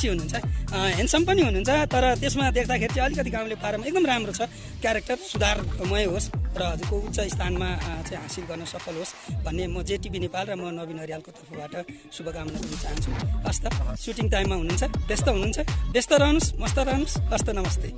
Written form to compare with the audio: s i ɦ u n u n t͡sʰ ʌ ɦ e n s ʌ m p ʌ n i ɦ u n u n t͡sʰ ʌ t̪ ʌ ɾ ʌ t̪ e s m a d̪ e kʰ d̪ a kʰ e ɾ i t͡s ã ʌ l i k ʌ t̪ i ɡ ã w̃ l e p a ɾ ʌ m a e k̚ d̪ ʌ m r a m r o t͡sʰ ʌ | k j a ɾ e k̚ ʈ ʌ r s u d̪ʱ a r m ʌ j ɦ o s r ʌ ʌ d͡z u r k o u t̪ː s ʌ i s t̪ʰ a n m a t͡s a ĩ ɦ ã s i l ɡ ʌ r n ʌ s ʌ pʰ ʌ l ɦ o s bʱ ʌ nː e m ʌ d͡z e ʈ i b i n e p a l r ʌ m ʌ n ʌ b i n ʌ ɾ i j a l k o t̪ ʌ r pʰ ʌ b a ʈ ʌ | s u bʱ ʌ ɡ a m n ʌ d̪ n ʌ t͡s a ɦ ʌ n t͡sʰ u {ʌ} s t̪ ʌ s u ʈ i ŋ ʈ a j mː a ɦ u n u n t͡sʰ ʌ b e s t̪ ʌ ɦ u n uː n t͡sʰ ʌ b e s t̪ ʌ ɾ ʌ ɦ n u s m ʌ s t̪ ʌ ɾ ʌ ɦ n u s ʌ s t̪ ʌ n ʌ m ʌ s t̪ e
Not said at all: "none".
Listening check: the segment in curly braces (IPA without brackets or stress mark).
ʌ